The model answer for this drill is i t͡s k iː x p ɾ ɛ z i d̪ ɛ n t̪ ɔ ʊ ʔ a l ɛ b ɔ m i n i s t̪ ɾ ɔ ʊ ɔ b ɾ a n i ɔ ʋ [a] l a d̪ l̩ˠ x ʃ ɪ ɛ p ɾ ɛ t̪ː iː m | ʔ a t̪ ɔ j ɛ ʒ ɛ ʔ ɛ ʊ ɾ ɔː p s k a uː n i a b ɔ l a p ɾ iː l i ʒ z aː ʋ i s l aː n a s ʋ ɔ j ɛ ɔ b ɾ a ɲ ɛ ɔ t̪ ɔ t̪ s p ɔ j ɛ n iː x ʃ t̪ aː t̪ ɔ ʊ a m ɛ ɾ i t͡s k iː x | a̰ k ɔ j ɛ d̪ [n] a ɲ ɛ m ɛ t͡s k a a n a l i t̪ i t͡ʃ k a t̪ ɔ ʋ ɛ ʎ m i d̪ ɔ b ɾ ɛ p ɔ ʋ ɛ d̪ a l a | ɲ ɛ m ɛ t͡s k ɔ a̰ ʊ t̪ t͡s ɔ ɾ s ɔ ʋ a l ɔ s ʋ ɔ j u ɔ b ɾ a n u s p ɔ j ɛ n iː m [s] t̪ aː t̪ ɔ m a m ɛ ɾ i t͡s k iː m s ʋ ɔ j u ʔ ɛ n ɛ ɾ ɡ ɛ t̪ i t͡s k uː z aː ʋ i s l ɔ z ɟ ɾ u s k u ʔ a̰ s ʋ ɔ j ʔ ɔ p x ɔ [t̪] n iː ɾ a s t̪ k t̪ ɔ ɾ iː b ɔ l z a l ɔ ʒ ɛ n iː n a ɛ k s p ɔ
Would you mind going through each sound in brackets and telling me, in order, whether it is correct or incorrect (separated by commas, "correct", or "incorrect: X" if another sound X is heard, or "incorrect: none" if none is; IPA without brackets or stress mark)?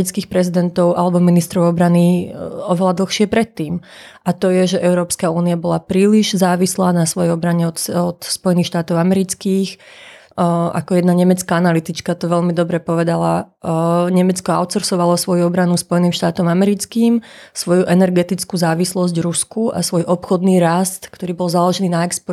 incorrect: ɛ, correct, incorrect: ʃ, incorrect: d̪